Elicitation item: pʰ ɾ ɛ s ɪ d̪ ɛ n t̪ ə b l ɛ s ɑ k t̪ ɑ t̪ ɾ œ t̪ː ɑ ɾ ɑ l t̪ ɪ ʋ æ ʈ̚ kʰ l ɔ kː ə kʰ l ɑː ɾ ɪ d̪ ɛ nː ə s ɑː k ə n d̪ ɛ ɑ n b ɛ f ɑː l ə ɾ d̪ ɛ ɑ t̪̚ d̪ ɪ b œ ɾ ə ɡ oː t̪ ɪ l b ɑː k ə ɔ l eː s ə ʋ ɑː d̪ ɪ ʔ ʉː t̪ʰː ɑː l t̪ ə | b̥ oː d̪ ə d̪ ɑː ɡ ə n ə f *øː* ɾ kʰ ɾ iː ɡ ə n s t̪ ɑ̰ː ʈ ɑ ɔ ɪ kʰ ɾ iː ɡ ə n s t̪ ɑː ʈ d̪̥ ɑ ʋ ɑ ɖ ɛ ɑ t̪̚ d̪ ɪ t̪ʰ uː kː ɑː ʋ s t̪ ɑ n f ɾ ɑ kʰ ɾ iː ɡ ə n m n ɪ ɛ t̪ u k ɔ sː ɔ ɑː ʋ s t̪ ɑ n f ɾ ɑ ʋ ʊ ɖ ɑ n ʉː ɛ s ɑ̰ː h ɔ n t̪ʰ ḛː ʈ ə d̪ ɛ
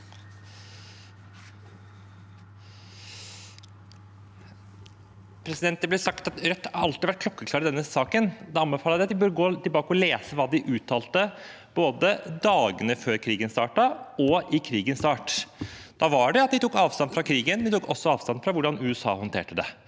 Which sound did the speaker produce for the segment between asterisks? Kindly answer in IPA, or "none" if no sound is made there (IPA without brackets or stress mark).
øː